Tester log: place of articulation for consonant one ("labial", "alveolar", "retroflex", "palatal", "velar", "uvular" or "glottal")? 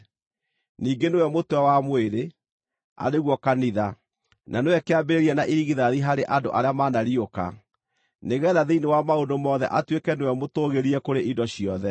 alveolar